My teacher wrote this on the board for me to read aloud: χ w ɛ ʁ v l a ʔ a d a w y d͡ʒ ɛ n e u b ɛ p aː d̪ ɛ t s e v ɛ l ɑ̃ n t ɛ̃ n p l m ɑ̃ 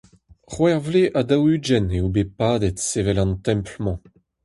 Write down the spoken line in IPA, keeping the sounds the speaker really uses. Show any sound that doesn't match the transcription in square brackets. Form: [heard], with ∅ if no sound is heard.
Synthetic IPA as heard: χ w ɛ ʁ v l [e] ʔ a d a w y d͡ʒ ɛ n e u b [e] p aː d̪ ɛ t s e v ɛ l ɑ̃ n t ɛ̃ [m] p l m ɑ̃

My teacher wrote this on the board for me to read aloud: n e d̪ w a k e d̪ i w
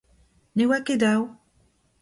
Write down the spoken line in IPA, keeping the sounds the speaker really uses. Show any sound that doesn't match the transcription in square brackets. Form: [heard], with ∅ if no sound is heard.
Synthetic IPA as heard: n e [∅] w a k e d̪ [a] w

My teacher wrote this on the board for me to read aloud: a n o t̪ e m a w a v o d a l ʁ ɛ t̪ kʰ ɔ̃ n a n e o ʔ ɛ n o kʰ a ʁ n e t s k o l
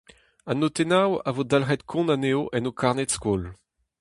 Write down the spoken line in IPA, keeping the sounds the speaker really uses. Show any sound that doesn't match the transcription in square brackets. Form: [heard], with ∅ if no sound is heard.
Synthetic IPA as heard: a n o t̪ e [n] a w a v o d a l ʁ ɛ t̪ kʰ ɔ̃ n a n e o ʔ ɛ n o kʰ a ʁ n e t s k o l

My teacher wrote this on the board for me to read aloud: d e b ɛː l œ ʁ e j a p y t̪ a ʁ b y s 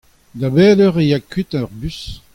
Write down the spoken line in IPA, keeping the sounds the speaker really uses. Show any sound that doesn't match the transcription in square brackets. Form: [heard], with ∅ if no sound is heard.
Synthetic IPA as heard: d [a] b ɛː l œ ʁ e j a [k] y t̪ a ʁ b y s

